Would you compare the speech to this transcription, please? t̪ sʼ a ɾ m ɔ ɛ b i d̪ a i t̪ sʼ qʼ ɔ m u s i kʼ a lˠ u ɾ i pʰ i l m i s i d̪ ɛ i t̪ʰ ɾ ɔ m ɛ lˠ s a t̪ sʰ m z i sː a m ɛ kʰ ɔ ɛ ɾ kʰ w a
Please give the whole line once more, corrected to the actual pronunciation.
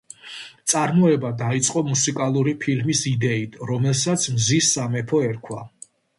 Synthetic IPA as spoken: t̪ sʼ a ɾ m ɔ ɛ b a d̪ a i t̪ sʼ qʼ ɔ m u s i kʼ a lˠ u ɾ i pʰ i l m i s i d̪ ɛ i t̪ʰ ɾ ɔ m ɛ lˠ s a t̪ sʰ m z i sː a m ɛ pʰ ɔ ɛ ɾ kʰ w a